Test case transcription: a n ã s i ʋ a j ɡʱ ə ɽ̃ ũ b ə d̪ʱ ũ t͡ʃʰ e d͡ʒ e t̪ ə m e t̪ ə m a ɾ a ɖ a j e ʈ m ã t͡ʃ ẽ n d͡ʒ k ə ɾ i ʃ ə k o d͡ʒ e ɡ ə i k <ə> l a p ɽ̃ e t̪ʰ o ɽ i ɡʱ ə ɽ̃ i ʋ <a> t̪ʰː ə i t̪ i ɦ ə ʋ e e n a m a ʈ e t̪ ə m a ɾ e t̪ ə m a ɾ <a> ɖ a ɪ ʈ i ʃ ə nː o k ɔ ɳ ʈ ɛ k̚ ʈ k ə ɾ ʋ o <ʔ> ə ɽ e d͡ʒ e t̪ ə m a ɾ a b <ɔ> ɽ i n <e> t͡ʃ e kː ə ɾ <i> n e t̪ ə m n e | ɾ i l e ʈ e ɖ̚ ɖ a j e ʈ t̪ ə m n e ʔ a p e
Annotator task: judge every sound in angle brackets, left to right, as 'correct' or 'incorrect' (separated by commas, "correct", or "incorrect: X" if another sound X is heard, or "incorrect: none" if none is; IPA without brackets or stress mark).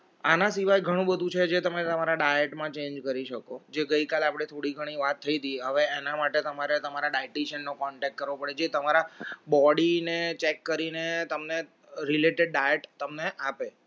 incorrect: a, correct, correct, incorrect: p, correct, correct, correct